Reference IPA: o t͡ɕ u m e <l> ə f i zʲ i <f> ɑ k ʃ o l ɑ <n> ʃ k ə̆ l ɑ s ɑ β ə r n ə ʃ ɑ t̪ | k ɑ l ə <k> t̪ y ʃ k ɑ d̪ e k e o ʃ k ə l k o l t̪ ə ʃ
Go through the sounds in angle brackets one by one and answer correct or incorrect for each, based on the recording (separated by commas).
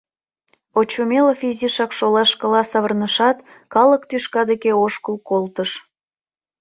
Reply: correct, incorrect, incorrect, correct